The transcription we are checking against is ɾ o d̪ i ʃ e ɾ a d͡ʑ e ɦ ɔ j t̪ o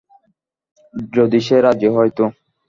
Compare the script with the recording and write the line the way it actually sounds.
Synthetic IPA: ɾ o d̪ i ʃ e ɾ a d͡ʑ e ɦ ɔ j t̪ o